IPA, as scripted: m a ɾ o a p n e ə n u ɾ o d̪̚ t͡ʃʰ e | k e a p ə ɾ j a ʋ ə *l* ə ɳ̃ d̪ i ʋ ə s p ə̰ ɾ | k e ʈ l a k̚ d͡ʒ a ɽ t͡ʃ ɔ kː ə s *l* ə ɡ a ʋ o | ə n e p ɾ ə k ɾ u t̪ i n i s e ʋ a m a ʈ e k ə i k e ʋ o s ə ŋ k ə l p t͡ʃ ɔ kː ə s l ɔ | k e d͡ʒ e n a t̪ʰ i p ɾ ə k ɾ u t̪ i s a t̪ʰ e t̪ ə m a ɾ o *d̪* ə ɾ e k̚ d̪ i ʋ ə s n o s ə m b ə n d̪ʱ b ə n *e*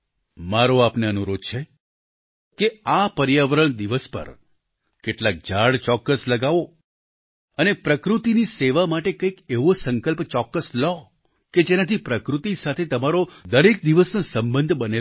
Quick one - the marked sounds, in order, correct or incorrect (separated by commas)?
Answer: incorrect, correct, correct, correct